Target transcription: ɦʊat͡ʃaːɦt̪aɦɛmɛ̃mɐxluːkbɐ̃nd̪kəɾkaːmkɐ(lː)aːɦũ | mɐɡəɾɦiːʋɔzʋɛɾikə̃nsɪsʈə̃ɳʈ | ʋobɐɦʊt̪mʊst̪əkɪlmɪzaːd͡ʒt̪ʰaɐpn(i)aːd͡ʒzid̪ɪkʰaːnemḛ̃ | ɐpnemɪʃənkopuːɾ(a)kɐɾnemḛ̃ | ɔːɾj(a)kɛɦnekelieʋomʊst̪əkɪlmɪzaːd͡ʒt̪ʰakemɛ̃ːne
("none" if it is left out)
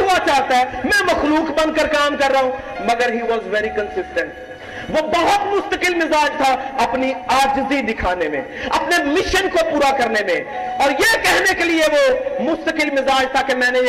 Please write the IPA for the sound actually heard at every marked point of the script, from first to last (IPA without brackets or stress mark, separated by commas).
ɾː, i, a, e